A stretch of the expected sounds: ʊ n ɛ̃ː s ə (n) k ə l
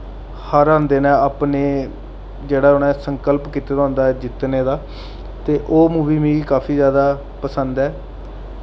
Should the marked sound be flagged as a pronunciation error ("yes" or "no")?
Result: yes